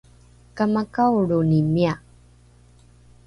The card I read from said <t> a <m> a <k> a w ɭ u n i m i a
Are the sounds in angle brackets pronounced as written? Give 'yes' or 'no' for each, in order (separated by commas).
no, yes, yes